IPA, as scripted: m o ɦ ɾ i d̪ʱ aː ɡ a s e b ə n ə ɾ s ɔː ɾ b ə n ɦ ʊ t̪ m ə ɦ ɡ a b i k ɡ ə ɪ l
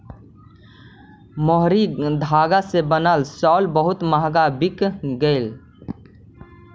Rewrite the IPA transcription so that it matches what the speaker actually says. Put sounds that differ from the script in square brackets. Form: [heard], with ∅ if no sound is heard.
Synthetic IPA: m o ɦ ɾ i d̪ʱ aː ɡ a s e b ə n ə [l] s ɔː [l] b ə [∅] ɦ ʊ t̪ m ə ɦ ɡ a b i k ɡ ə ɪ l